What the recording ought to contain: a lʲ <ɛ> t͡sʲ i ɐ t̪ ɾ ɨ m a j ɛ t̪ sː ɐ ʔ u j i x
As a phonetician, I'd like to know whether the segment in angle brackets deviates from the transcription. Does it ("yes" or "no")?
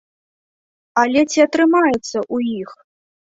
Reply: no